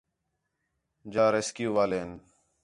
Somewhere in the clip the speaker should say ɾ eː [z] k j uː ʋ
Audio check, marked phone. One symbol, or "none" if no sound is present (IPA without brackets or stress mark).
s